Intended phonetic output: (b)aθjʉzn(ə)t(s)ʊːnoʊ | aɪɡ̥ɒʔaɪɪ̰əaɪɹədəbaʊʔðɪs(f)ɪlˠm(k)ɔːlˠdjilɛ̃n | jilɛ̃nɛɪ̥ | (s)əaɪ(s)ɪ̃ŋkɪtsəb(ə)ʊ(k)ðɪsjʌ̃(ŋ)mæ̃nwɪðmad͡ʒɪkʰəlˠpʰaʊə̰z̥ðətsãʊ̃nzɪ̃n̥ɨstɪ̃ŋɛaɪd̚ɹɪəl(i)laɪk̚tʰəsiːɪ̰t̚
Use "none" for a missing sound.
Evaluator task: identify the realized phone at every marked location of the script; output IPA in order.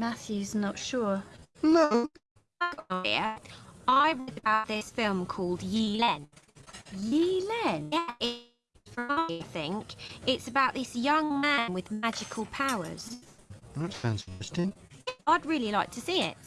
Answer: m, ə, ʃ, f, kʰ, f, θ, a, ʔ, ŋ, i

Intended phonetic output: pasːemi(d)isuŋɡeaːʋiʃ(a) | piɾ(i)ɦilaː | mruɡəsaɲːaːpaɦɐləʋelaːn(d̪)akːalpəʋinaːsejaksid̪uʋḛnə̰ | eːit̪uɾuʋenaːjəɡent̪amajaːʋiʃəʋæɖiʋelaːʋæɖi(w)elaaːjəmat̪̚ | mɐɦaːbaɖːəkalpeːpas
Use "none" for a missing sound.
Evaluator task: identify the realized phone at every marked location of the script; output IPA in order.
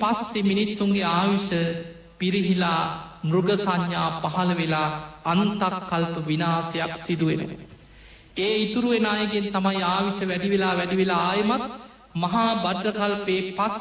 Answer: n, ə, i, t̪, ʋ

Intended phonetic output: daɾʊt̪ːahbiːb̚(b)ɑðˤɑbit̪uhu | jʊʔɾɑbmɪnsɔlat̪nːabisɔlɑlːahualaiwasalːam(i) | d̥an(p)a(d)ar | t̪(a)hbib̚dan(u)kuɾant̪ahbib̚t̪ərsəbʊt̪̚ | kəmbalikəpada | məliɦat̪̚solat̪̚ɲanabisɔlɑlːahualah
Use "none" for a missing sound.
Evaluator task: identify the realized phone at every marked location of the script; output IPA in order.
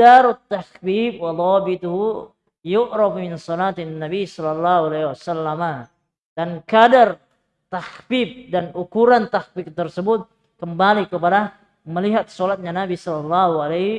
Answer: w, a, k, d, a, u

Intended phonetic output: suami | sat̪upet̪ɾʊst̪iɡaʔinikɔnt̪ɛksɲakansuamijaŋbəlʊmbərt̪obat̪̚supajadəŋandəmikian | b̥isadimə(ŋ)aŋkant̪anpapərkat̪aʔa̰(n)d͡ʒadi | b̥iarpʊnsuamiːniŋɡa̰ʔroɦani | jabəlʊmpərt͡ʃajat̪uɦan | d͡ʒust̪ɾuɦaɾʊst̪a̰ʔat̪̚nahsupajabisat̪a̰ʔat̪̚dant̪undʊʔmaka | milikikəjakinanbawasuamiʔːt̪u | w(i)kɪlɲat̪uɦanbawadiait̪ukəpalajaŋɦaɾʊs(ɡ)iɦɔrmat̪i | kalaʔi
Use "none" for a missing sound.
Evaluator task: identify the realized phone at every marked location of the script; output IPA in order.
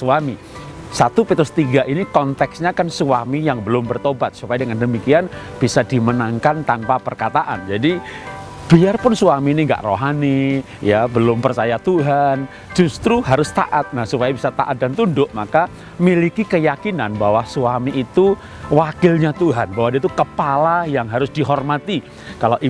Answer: n, n, a, d

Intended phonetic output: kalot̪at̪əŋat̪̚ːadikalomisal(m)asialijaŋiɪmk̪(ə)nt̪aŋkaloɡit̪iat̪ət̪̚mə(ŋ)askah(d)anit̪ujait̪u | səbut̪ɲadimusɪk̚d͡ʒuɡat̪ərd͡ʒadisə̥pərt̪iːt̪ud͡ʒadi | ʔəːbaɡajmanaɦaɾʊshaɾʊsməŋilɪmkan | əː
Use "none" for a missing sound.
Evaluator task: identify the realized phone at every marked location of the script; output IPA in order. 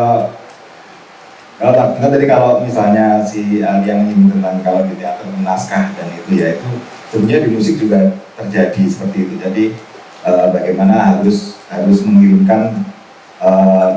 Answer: ɲ, ə, n, d

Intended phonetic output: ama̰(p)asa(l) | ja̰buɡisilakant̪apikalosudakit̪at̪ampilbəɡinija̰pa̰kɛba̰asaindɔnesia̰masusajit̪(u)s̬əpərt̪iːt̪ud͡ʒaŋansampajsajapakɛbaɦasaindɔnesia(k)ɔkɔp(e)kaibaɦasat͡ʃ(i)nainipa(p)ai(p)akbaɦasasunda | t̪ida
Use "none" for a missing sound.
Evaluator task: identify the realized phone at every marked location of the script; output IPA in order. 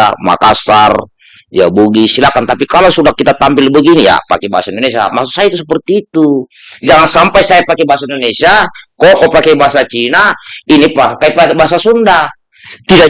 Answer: k, r, u, k, a, i, k, p

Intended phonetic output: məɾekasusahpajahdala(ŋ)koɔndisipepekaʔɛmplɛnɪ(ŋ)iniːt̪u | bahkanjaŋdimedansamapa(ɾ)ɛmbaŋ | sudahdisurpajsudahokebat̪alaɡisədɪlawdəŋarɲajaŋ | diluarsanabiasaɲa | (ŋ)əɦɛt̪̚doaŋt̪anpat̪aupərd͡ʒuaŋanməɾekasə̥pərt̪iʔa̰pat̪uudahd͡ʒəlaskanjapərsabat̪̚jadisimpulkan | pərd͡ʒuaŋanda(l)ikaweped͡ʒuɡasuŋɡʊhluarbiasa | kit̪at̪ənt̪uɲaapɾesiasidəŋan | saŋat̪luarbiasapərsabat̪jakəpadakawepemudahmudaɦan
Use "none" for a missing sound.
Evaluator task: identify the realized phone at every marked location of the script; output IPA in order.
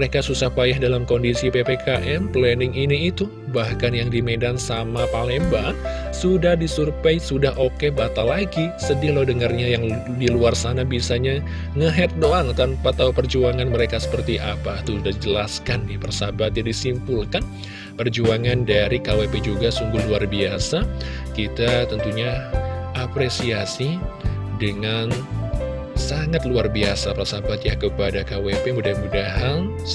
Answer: m, ŋ, l, ŋ, ɾ

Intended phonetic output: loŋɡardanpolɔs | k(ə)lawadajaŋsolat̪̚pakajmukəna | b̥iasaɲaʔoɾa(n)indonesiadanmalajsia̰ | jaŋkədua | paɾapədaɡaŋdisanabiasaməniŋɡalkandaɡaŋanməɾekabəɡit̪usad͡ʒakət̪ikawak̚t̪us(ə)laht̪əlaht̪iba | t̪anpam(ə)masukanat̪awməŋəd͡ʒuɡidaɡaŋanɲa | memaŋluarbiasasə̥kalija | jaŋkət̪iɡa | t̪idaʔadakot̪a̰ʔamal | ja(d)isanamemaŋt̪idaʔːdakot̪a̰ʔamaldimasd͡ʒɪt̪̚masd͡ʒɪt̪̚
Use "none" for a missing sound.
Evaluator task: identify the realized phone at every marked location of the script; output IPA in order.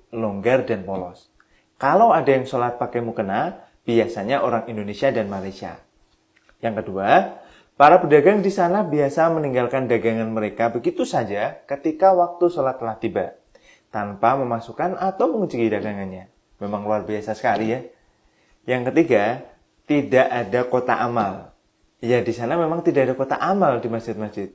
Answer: a, ŋ, ə, ə, d

